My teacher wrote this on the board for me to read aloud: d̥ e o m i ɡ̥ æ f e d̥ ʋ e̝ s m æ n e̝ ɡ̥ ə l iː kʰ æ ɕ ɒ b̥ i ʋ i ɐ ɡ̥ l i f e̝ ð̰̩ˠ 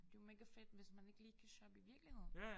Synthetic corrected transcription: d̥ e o m e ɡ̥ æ f e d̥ ʋ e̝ s m æ n e̝ ɡ̥ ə l iː kʰ æ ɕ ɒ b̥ i ʋ i ɐ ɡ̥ l i h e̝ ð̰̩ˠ